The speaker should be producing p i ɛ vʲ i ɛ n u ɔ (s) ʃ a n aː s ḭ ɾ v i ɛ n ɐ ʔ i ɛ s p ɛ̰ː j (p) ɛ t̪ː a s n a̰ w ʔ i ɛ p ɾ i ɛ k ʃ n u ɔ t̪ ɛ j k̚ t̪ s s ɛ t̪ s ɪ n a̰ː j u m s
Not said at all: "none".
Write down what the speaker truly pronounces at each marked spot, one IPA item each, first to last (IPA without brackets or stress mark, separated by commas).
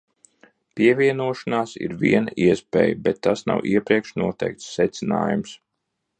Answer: none, b